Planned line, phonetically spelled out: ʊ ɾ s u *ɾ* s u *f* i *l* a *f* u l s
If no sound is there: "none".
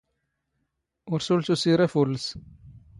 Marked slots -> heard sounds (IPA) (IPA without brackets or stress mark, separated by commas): l, s, ɾ, f